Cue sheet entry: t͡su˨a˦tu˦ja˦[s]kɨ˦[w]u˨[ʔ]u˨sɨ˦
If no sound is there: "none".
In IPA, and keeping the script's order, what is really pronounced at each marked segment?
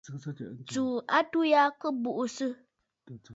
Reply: none, b, ʔ

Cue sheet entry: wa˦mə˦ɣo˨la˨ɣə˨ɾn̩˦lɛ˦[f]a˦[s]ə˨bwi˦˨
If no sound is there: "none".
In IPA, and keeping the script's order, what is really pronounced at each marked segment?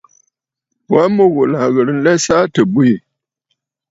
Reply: s, t

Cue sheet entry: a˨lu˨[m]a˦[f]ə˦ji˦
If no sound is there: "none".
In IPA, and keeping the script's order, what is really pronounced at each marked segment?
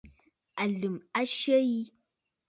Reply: m, ʃ

